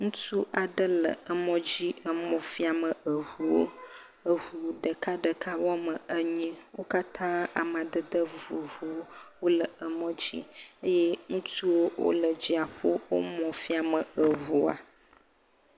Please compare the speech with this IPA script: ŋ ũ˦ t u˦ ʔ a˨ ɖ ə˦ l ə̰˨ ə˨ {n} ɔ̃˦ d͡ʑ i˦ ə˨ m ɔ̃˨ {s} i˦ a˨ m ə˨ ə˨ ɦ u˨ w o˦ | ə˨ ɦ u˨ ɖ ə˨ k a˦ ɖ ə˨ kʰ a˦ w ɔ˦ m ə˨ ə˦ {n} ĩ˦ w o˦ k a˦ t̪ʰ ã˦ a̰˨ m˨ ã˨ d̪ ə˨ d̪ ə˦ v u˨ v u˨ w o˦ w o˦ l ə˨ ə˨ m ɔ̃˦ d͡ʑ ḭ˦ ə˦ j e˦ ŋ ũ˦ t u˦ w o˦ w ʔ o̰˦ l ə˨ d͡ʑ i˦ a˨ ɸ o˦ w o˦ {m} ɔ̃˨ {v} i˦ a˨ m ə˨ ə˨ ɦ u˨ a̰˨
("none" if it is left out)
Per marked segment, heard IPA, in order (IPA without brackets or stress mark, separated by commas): m, f, ɲ, m, f